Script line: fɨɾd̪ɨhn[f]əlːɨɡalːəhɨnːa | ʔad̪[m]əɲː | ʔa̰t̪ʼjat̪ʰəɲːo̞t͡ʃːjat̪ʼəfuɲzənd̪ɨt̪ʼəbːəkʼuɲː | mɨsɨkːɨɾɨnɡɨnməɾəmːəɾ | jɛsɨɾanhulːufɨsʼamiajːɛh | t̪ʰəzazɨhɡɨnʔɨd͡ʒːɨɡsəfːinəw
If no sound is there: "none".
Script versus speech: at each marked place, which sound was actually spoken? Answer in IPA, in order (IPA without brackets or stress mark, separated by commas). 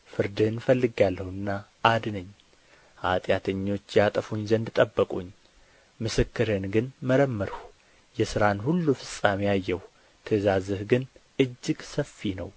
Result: f, n